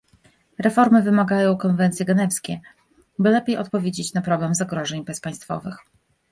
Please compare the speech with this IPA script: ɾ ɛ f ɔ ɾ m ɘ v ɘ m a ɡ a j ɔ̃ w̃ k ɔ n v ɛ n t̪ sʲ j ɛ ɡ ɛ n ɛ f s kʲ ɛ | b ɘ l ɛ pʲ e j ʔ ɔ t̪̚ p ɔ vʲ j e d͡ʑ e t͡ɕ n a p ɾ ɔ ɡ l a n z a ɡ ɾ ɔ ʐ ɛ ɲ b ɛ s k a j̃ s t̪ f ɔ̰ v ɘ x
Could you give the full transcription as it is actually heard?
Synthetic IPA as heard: ɾ ɛ f ɔ ɾ m ɘ v ɘ m a ɡ a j ɔ̃ w̃ k ɔ n v ɛ n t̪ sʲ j ɛ ɡ ɛ n ɛ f s kʲ ɛ | b ɘ l ɛ pʲ e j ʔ ɔ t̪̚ p ɔ vʲ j e d͡ʑ e t͡ɕ n a p ɾ ɔ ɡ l a m z a ɡ ɾ ɔ ʐ ɛ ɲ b ɛ s p a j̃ s t̪ f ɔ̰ v ɘ x